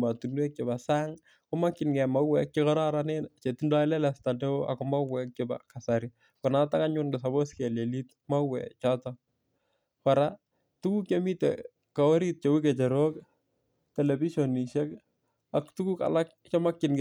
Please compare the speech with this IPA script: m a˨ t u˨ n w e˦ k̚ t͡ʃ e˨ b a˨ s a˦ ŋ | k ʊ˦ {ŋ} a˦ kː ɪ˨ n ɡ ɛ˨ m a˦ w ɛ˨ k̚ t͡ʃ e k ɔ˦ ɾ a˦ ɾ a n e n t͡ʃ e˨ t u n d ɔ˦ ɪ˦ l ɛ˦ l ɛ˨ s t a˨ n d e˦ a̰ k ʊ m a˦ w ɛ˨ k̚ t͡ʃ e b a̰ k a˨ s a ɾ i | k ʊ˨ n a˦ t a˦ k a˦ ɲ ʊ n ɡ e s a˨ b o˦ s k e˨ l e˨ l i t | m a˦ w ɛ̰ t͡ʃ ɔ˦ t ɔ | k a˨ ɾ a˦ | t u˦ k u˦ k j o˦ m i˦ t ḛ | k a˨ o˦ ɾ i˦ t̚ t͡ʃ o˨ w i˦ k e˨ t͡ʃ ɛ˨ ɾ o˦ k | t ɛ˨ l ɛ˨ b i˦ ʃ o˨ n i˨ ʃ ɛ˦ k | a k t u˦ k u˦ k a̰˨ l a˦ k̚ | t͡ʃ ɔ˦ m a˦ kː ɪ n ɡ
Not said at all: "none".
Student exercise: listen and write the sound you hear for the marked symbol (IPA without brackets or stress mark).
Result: m